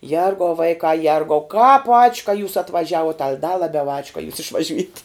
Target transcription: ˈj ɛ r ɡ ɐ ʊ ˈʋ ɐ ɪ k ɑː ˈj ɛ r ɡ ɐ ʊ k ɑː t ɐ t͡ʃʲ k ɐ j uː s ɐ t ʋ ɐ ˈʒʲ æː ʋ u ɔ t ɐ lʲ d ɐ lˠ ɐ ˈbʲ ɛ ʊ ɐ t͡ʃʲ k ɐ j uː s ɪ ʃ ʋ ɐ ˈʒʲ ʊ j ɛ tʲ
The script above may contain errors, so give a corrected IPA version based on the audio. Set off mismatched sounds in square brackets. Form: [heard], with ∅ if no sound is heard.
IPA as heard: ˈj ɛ r ɡ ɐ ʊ ˈʋ ɐ ɪ k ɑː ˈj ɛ r ɡ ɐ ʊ k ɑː [p] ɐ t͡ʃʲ k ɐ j uː s ɐ t ʋ ɐ ˈʒʲ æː ʋ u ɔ t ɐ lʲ d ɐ lˠ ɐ ˈbʲ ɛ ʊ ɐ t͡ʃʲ k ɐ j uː s ɪ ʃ ʋ ɐ ˈʒʲ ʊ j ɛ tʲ